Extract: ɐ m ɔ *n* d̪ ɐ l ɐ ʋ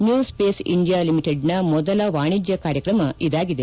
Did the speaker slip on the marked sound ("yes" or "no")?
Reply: yes